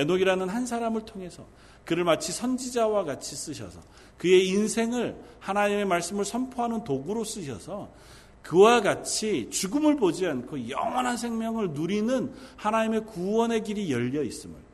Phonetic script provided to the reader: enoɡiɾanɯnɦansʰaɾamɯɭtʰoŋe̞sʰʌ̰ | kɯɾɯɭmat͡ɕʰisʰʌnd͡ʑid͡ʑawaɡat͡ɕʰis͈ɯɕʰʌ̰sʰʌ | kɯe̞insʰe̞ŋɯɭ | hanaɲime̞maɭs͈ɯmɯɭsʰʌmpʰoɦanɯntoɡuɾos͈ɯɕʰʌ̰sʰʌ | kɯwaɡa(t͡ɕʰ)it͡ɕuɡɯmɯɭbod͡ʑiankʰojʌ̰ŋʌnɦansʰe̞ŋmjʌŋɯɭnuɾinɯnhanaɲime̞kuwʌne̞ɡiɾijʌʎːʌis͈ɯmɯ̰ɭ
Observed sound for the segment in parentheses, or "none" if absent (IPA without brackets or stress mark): t͡ɕʰ